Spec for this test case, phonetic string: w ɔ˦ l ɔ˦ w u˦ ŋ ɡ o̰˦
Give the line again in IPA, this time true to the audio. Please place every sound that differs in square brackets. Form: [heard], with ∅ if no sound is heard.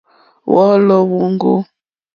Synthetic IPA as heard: w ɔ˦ l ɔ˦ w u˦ ŋ ɡ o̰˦